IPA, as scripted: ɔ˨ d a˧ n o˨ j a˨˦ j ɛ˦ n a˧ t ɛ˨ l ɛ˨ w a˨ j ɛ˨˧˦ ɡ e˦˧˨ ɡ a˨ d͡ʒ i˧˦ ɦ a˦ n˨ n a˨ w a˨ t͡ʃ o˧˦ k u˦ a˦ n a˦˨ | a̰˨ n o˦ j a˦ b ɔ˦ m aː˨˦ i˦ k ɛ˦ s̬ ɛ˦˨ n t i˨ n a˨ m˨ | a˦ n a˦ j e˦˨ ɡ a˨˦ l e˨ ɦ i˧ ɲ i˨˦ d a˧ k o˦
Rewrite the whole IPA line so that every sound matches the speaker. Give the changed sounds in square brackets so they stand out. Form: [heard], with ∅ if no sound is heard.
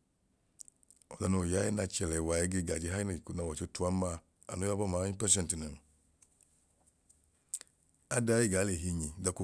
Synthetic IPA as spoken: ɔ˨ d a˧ n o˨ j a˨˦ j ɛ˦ n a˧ [t͡ʃ] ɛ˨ l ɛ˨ w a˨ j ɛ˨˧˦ ɡ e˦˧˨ ɡ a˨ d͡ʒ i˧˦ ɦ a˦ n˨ n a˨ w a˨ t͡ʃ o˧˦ [t] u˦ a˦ [m] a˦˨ | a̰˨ n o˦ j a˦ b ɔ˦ m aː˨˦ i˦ [p] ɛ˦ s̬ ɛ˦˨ n t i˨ n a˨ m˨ | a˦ [d] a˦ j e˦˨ ɡ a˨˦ l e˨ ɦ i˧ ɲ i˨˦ d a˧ k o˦